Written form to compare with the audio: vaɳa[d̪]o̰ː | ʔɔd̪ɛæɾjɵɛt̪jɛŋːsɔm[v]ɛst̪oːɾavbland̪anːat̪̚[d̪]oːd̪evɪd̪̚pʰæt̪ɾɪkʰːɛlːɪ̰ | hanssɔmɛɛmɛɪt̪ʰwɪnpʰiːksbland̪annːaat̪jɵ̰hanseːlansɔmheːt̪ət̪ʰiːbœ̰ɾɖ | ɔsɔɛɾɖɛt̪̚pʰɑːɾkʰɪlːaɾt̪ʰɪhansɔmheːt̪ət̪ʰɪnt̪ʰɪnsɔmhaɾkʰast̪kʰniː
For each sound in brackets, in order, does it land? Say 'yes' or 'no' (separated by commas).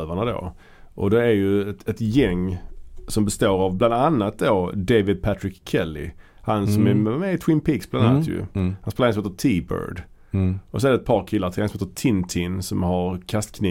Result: yes, no, yes